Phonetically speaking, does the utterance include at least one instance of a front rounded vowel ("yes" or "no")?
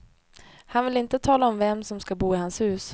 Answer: no